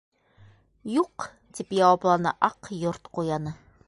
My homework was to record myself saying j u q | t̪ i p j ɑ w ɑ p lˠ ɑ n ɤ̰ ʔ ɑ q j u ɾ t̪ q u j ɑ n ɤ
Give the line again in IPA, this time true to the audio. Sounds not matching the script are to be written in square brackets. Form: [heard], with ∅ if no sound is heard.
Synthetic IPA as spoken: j u q | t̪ i p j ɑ w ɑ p lˠ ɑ n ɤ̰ ʔ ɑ q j [o] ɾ t̪ q u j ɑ n ɤ